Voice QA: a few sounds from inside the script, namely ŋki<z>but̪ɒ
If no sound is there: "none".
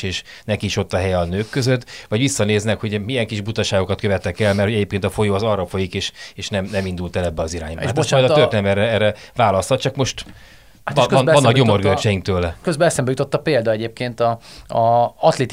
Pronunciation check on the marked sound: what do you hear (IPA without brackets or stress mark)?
ʒ